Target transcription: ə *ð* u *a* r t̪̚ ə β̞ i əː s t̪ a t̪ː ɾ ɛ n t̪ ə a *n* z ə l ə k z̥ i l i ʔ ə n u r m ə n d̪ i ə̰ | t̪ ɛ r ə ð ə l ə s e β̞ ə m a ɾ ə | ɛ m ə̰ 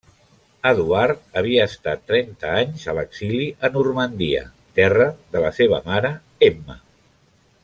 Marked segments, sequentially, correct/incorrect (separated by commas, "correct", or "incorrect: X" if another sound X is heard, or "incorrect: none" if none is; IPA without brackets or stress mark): correct, correct, incorrect: ɲ